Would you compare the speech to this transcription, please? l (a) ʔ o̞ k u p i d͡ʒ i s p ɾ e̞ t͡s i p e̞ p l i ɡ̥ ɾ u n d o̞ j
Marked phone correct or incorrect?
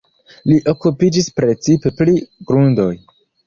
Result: incorrect: i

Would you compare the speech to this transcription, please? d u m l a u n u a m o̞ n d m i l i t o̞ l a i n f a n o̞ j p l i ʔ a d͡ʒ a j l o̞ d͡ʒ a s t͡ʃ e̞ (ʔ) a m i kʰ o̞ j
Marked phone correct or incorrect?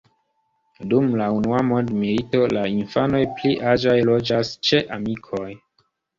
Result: correct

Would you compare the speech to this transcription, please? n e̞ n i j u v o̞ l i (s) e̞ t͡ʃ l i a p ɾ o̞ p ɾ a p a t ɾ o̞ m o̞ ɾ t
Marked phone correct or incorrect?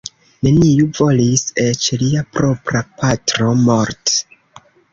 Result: correct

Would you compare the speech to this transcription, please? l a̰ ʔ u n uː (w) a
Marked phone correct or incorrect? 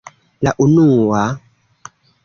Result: correct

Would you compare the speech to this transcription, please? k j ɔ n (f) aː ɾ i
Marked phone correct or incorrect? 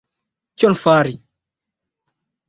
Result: correct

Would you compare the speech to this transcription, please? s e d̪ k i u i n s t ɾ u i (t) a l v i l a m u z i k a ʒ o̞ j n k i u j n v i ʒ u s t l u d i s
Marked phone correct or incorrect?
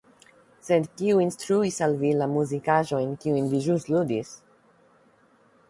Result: incorrect: s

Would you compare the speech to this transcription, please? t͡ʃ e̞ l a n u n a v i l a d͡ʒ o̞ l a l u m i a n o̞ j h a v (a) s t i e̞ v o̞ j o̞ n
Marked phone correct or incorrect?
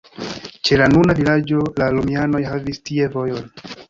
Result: incorrect: i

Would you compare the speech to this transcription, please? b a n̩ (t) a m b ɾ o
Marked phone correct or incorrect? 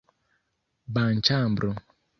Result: incorrect: t͡ʃ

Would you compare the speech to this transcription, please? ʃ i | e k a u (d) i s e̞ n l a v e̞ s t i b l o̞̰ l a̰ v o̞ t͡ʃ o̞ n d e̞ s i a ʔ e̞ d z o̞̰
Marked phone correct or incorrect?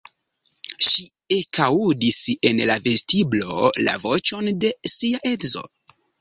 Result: correct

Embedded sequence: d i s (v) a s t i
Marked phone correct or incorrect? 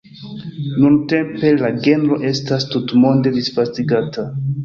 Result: incorrect: f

